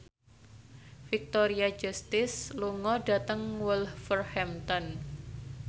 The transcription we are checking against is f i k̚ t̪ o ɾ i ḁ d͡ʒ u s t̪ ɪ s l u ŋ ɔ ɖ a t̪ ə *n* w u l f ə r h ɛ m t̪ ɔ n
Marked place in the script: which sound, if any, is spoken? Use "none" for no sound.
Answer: ŋ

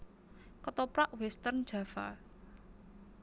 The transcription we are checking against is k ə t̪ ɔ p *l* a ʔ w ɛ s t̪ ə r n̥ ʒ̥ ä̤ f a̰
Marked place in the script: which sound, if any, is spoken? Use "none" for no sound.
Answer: ɾ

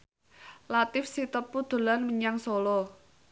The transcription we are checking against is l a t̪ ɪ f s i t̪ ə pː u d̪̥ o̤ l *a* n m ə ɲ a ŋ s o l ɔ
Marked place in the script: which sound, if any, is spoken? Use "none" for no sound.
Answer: a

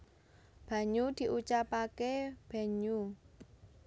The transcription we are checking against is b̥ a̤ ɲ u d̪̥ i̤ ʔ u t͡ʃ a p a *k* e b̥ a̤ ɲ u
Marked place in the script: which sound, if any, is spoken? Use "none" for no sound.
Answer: k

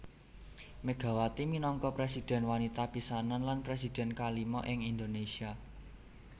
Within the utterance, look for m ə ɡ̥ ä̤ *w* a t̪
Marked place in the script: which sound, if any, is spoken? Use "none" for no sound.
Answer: w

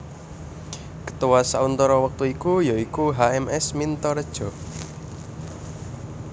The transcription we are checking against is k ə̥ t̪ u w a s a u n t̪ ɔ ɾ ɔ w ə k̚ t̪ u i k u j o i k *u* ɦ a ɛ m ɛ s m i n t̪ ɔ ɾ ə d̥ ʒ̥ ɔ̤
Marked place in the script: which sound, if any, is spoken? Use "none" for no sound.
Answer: u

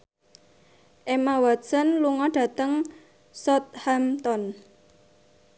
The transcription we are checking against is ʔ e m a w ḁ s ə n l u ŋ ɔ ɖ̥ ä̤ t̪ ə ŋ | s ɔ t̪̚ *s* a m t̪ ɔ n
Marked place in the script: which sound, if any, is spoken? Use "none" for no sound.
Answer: h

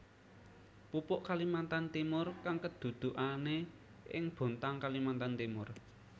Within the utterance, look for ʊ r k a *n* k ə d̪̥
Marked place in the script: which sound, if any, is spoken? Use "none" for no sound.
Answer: ŋ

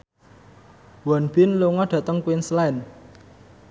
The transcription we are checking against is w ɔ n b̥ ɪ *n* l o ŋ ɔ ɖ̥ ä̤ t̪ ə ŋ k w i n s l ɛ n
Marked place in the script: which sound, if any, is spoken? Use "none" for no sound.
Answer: n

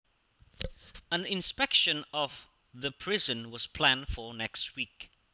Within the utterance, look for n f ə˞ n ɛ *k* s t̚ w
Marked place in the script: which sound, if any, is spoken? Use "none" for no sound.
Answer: k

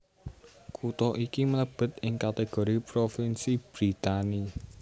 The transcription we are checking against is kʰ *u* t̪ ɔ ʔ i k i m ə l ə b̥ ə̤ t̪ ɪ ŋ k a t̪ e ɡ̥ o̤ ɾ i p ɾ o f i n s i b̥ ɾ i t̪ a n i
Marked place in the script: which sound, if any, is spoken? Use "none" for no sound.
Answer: u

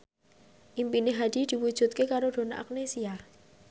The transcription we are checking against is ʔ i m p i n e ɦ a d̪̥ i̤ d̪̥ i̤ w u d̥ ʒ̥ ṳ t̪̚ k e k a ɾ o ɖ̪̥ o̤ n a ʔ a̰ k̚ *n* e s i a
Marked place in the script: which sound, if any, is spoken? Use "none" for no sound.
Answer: n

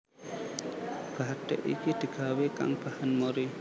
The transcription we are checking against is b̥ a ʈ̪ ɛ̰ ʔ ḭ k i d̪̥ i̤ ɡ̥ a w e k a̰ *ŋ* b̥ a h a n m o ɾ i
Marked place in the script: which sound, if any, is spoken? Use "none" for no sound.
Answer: ŋ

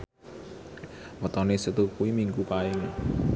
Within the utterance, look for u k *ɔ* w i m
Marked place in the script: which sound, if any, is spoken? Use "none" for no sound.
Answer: u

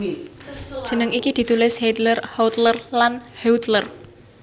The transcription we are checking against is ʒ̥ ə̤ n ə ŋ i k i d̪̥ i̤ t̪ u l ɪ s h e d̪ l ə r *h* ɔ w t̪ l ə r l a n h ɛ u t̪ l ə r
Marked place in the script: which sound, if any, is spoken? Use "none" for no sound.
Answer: h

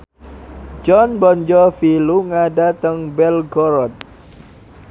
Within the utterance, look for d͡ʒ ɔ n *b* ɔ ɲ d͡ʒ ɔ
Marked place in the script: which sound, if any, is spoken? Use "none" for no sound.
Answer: b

